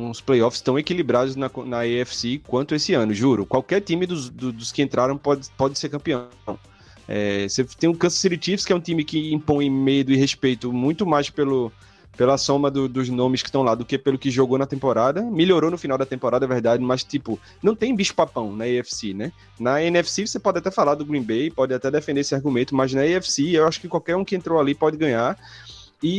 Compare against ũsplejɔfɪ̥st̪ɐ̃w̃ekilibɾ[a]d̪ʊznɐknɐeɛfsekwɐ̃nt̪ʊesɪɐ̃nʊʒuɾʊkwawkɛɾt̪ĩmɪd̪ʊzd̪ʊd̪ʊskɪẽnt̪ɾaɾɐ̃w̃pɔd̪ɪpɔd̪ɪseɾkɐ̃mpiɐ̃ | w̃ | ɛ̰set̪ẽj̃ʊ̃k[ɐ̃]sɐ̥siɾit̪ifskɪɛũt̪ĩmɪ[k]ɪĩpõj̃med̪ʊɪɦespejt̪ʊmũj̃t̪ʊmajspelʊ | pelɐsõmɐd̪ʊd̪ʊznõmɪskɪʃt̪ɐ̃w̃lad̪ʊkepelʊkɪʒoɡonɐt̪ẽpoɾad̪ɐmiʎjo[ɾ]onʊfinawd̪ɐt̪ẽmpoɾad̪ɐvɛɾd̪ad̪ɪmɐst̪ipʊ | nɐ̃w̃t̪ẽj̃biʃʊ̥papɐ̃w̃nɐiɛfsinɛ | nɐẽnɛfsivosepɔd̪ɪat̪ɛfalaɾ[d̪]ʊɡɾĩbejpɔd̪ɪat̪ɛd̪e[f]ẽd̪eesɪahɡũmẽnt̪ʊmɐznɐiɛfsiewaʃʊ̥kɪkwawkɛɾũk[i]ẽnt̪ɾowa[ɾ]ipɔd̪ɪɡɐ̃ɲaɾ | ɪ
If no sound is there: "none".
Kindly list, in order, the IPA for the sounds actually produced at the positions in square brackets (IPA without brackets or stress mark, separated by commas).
a, ɐ̃, k, ɾ, d̪, f, ɪ, l